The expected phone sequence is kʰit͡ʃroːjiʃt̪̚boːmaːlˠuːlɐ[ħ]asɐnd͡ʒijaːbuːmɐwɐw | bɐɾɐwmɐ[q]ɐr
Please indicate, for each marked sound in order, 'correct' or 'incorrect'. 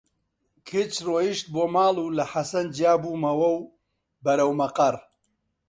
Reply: correct, correct

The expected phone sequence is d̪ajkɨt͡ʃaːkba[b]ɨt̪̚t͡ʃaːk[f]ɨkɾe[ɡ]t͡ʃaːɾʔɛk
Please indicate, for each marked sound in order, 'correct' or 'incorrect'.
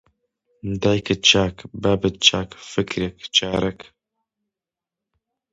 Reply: correct, correct, incorrect: k

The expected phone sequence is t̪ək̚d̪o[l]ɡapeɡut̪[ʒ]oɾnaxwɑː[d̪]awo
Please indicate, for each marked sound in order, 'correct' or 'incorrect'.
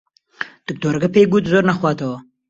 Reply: incorrect: ɾ, incorrect: z, incorrect: t̪

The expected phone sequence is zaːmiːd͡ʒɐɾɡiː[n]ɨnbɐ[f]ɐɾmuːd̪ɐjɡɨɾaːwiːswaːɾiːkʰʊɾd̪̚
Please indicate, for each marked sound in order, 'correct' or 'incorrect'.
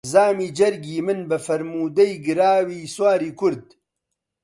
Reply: incorrect: m, correct

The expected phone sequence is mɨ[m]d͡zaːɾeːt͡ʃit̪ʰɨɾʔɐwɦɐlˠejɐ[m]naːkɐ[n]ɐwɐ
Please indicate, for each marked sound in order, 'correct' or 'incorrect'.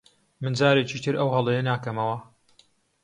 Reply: incorrect: n, incorrect: none, incorrect: m

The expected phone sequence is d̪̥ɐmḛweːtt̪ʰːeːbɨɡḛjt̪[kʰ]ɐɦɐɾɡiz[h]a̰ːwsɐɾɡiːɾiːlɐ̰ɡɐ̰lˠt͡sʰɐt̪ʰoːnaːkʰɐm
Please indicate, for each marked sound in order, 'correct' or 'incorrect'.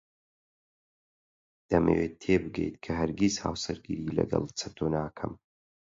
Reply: correct, correct

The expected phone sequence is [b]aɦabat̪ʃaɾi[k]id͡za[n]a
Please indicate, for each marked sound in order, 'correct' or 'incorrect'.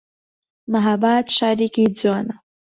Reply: incorrect: m, correct, correct

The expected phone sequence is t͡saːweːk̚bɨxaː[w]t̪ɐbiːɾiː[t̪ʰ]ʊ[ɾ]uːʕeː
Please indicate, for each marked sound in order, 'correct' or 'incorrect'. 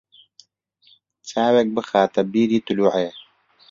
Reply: incorrect: none, incorrect: t̪, incorrect: l

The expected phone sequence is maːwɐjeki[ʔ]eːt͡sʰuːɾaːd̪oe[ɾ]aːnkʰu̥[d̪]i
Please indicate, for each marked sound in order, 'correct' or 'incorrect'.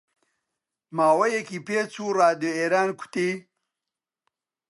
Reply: incorrect: p, correct, incorrect: t̪

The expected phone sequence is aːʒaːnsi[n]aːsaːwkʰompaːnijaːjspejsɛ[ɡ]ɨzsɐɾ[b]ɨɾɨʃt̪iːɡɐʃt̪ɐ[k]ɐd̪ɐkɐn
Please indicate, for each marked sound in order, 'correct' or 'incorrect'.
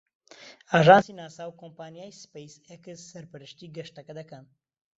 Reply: correct, incorrect: k, incorrect: p, correct

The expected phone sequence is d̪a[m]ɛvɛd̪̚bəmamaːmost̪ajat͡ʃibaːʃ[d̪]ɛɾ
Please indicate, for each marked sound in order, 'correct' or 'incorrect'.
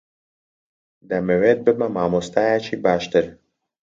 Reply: correct, incorrect: t̪

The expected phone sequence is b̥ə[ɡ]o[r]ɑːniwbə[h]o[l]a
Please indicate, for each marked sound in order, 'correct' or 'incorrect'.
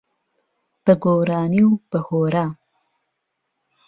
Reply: correct, incorrect: ɾ, correct, incorrect: ɾ

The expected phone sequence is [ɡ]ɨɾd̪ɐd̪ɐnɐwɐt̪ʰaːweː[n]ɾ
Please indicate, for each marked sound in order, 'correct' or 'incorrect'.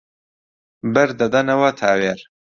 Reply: incorrect: b, incorrect: none

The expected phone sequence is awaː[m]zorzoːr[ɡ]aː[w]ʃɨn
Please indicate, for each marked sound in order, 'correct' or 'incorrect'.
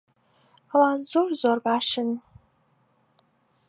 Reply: incorrect: n, incorrect: b, incorrect: none

